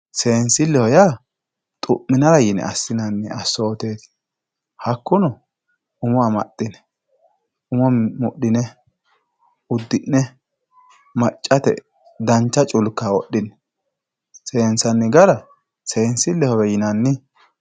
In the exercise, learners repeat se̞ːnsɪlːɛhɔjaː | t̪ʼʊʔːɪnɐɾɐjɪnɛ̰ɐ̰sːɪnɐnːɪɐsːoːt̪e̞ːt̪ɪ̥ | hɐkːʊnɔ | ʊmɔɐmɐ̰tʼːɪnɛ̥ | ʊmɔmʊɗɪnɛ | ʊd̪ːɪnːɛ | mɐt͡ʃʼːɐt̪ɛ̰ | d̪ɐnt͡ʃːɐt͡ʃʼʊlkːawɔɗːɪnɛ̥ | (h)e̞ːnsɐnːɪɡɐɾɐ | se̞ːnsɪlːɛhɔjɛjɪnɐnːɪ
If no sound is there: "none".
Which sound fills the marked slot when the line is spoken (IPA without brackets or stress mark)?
s